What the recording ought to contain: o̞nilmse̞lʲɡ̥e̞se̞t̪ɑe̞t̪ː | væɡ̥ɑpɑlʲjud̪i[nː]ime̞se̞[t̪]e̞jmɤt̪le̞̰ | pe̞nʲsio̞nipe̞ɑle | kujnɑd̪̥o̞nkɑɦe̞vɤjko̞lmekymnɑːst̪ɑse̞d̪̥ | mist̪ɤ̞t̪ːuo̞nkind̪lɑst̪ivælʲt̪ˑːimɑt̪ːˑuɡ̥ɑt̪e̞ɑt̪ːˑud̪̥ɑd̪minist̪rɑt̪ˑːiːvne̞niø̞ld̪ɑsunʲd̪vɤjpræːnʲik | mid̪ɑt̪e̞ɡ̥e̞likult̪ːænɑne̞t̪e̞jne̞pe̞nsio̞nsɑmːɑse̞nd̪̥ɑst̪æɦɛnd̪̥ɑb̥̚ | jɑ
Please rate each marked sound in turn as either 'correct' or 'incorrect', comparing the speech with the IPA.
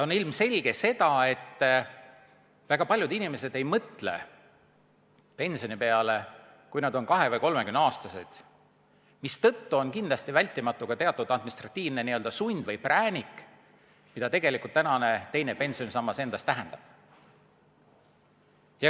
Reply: incorrect: n, incorrect: d̪

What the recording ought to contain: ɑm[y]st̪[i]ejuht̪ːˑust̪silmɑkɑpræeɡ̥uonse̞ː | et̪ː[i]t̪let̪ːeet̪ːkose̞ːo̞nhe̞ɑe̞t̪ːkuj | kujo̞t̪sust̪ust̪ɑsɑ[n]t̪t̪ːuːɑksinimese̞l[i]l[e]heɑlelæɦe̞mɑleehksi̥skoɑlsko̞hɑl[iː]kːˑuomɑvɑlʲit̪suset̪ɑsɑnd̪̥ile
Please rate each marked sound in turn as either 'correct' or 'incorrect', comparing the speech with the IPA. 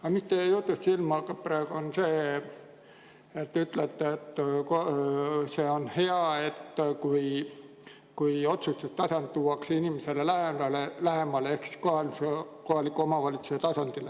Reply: incorrect: i, incorrect: e, incorrect: y, correct, incorrect: e, incorrect: æ, incorrect: i

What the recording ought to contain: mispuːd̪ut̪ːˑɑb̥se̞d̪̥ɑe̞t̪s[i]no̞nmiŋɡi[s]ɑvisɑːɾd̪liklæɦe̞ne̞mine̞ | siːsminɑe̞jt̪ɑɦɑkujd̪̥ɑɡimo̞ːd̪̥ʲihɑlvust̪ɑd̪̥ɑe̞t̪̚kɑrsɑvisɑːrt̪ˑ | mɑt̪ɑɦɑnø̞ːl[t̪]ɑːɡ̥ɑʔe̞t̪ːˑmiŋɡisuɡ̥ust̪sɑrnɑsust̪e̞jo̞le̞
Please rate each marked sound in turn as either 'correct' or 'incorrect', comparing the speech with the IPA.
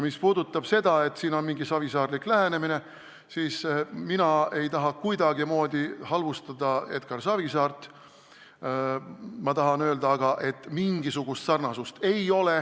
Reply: incorrect: iː, correct, incorrect: d̪

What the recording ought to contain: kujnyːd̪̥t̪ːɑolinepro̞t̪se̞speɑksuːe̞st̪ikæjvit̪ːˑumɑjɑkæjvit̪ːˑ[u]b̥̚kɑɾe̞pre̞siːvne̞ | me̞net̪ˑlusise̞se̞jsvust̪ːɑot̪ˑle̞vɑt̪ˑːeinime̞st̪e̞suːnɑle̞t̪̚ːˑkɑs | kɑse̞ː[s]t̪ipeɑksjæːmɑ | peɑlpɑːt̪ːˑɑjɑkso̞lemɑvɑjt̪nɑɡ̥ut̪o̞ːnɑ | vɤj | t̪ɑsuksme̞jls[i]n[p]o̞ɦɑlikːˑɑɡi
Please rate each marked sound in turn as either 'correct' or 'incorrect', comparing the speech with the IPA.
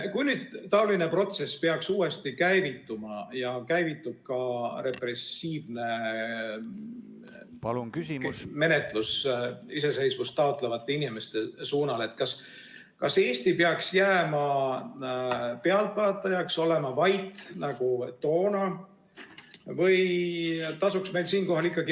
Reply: correct, correct, incorrect: iː, incorrect: k

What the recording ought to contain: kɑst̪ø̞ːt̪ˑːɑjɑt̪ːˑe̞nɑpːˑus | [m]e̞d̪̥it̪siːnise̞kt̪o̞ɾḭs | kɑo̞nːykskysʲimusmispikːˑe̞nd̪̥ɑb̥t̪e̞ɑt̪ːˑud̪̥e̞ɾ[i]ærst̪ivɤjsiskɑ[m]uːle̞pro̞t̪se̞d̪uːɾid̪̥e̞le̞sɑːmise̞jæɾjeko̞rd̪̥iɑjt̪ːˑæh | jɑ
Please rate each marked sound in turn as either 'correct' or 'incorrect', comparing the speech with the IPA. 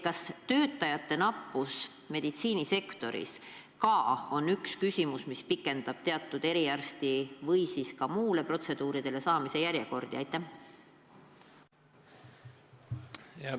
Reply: correct, correct, correct

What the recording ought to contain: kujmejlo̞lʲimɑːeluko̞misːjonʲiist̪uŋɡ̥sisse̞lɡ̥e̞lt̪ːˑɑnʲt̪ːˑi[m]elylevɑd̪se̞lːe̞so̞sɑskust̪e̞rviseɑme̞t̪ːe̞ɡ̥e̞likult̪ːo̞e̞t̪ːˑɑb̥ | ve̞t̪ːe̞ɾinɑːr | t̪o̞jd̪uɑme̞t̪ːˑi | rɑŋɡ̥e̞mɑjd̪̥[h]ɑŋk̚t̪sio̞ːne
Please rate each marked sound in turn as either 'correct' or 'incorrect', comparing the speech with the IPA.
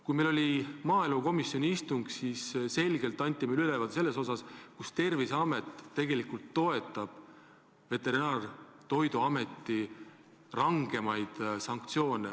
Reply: correct, incorrect: s

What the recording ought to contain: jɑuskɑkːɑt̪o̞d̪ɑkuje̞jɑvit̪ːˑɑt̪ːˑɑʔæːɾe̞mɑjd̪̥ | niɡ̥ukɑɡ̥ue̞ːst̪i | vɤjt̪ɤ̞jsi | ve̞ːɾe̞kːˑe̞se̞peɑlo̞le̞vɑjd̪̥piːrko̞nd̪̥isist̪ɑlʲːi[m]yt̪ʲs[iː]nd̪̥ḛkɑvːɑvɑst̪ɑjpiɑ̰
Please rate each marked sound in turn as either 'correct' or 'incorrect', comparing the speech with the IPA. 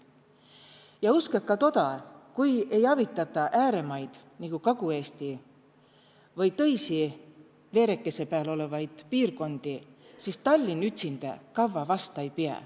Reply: incorrect: n, incorrect: i

